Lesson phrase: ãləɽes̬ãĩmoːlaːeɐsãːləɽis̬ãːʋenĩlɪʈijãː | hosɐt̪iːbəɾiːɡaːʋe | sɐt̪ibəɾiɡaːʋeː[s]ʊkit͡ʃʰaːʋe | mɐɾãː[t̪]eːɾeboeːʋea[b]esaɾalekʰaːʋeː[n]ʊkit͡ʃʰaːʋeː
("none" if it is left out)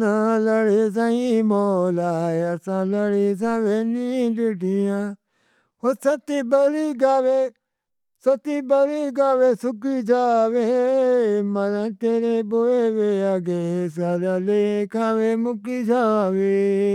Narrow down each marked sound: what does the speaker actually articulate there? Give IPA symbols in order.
s, t̪, ɡ, m

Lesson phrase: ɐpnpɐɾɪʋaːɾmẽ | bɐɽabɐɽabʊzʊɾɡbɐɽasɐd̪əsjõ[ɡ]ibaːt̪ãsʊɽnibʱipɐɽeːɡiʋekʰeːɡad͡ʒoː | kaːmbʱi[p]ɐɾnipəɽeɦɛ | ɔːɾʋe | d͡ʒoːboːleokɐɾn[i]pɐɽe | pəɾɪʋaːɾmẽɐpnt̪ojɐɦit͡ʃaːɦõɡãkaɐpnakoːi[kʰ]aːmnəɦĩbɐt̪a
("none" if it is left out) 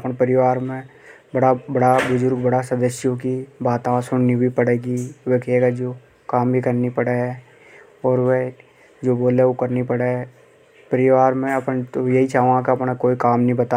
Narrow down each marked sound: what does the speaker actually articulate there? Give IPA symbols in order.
k, k, i, k

